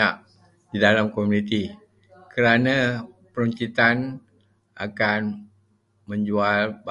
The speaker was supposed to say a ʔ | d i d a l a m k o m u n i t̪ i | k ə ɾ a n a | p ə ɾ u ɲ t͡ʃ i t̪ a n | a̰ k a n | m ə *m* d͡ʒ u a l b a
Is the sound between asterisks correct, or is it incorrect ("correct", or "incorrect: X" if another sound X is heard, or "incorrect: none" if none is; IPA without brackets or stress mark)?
incorrect: ɲ